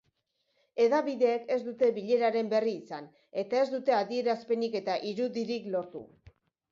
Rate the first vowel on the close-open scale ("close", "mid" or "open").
mid